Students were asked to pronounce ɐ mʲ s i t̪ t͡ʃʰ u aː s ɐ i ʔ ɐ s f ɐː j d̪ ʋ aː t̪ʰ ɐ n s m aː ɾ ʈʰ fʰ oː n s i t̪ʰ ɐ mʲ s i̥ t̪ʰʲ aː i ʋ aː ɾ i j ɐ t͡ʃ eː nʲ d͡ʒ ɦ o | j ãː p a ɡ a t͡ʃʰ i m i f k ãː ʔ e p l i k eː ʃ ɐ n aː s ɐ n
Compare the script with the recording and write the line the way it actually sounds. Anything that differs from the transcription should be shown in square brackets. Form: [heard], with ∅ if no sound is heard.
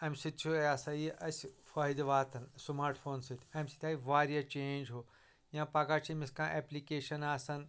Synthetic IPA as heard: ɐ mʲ s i t̪ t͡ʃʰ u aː s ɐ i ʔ ɐ s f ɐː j d̪ ʋ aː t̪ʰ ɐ n s m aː ɾ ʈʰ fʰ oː n s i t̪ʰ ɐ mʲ s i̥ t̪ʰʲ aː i ʋ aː ɾ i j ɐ t͡ʃ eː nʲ d͡ʒ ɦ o | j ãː p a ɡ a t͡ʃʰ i m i [s] k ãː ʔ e p l i k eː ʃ ɐ n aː s ɐ n